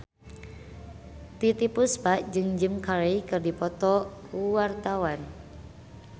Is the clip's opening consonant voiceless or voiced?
voiceless